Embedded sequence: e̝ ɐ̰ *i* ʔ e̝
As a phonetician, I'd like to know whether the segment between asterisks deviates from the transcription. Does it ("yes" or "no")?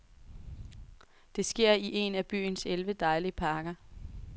no